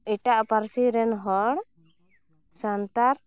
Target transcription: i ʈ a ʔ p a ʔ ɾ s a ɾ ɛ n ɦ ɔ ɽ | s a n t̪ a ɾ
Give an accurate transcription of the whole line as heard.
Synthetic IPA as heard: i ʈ a ʔ p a ɾ s i ɾ ɛ n ɦ ɔ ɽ | s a n t̪ a ɾ

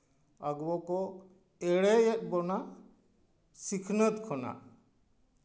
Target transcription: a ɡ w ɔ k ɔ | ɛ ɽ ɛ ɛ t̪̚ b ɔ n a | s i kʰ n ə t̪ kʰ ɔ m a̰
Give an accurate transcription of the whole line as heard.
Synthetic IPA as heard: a ɡ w ɔ k ɔ | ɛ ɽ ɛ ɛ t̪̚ b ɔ n a | s i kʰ n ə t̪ kʰ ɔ n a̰

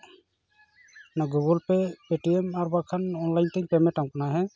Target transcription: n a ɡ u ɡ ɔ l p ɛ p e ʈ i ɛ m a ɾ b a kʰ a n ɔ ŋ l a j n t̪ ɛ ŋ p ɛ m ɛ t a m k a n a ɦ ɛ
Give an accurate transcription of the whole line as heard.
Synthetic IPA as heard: n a ɡ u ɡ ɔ l p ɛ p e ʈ i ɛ m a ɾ b a kʰ a n ɔ n l a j n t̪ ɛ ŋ p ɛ m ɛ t a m k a n a ɦ ɛ

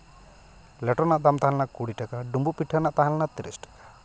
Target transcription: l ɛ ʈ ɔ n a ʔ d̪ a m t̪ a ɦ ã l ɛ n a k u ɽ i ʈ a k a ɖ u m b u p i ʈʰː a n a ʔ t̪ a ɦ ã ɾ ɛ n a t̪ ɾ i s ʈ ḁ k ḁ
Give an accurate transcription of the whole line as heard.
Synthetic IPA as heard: l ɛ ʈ ɔ n a ʔ d̪ a m t̪ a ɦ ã l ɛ n a k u ɽ i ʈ a k a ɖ u m b u p i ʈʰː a n a ʔ t̪ a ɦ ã l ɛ n a t̪ ɾ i s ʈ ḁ k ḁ

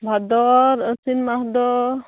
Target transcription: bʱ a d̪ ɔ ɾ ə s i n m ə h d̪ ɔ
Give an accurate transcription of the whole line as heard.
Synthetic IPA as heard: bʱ a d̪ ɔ ɾ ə s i n m a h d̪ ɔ

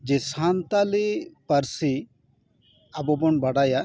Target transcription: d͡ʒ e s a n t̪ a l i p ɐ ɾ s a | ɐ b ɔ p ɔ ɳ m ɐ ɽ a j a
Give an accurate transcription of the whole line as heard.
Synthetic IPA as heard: d͡ʒ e s a n t̪ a l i p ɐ ɾ s i | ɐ b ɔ b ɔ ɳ b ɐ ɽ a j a

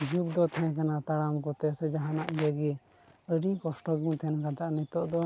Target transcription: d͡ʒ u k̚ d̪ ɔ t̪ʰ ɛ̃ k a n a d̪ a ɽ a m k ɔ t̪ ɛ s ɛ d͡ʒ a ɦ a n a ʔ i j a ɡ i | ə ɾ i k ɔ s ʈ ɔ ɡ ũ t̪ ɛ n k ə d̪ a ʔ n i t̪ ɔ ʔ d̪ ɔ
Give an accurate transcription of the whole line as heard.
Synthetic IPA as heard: d͡ʒ u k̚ d̪ ɔ t̪ʰ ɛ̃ k a n a t̪ a ɽ a m k ɔ t̪ ɛ s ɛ d͡ʒ a ɦ a n a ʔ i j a ɡ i | ə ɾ i k ɔ s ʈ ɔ ɡ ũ t̪ʰ ɛ n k a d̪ a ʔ n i t̪ ɔ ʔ d̪ ɔ

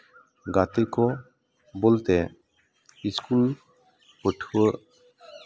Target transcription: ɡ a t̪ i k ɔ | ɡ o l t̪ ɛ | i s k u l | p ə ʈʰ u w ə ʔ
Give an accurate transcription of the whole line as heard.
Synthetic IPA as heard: ɡ a t̪ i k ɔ | b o l t̪ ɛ | i s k u l | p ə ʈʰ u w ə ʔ

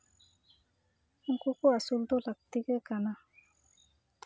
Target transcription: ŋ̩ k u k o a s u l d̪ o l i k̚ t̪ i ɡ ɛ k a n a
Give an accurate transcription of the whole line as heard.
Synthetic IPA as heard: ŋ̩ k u k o a s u l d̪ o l a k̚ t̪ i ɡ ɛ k a n a

